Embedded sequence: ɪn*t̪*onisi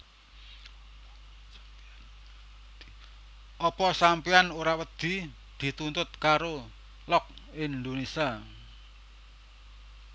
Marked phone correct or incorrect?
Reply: incorrect: d̪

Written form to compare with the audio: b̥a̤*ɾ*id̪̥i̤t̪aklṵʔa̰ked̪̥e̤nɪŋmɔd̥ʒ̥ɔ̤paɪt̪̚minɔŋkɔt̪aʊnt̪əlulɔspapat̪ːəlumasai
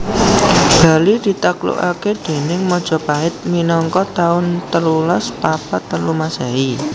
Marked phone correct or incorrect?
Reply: incorrect: l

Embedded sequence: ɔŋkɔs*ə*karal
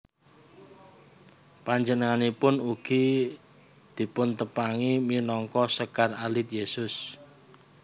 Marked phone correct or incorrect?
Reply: correct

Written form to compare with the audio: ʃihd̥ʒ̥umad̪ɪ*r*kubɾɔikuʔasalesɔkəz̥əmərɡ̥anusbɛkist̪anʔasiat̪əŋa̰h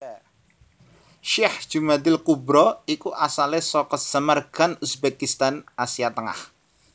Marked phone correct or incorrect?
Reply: incorrect: l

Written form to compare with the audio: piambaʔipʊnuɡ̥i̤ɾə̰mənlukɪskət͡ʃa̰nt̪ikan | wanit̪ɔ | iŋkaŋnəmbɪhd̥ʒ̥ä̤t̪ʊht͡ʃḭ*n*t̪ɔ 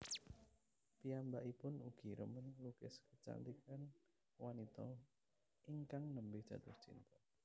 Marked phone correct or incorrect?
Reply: correct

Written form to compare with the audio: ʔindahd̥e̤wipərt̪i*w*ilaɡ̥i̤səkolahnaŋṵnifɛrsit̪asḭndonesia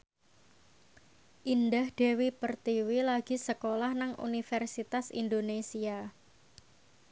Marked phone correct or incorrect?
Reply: correct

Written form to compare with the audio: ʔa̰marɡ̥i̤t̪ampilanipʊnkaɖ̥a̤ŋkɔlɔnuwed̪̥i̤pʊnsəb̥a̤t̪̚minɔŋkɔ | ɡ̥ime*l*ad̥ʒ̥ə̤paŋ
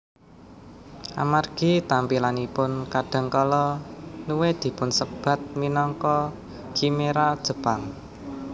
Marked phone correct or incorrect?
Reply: incorrect: ɾ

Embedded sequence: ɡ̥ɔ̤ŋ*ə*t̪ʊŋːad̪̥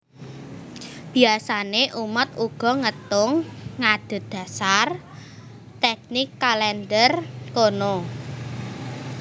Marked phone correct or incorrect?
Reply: correct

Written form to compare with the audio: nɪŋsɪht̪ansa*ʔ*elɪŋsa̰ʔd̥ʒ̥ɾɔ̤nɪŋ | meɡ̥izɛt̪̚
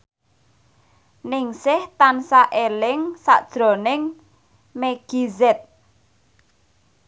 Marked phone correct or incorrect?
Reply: correct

